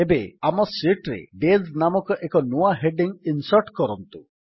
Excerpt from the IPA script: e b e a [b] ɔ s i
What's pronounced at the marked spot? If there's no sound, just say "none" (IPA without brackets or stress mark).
m